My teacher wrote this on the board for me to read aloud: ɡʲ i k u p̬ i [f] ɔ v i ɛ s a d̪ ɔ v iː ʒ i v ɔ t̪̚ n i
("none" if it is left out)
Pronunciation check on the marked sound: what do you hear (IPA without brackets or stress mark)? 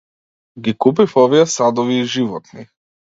f